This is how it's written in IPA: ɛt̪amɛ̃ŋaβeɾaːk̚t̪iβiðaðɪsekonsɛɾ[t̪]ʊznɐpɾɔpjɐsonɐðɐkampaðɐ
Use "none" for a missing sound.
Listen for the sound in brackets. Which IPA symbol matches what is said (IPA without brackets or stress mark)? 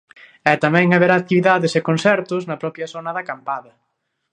t̪